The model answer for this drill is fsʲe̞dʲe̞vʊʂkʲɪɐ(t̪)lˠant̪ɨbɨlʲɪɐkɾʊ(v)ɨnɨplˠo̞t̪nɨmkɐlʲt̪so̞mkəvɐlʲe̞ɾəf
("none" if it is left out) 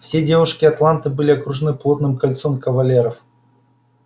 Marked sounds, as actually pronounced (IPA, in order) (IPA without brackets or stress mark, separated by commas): t̪, ʐ